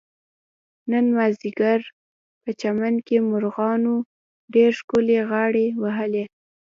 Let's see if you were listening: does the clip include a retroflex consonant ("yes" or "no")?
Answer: yes